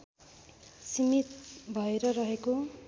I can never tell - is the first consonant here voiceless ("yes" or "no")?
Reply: yes